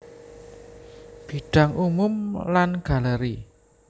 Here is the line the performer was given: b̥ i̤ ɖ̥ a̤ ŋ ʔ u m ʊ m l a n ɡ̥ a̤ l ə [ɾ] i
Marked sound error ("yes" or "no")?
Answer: no